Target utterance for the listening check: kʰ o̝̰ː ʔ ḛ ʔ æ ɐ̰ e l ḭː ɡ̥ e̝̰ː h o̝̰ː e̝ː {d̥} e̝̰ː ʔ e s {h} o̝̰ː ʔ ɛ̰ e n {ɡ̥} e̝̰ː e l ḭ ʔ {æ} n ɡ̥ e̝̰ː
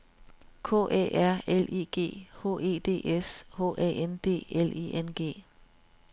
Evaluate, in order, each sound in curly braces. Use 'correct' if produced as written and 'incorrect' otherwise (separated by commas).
correct, correct, incorrect, incorrect